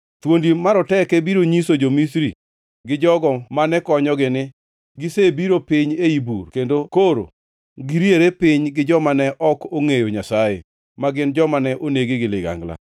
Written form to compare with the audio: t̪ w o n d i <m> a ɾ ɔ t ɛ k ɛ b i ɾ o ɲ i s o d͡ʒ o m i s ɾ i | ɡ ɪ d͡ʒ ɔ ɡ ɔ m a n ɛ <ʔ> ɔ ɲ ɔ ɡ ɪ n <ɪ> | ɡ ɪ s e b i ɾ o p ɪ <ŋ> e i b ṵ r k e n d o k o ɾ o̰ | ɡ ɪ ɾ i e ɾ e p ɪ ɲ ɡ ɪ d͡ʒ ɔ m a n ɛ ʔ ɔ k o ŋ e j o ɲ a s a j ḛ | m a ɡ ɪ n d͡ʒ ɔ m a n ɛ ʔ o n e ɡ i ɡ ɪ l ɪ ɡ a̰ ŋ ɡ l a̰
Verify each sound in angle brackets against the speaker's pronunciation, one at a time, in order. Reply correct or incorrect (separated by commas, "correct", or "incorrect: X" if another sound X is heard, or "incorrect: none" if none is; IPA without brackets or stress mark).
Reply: correct, incorrect: k, correct, incorrect: ɲ